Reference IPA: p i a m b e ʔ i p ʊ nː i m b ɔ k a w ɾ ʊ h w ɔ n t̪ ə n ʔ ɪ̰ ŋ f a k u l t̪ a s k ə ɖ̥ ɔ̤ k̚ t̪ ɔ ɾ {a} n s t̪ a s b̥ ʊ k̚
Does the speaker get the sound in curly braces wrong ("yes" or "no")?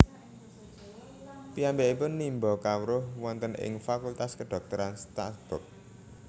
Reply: no